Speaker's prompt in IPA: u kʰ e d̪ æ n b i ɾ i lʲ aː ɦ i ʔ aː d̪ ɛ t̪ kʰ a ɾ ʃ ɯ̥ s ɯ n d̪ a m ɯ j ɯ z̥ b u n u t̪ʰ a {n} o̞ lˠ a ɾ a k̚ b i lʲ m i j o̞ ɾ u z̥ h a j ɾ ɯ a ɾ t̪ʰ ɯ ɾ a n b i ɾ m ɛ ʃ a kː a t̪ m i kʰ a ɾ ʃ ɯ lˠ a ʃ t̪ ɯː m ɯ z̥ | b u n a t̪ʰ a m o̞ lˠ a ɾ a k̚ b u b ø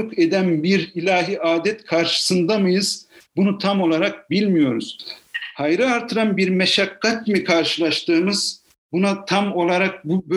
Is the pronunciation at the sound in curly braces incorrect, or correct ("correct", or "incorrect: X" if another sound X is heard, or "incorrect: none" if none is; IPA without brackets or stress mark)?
incorrect: m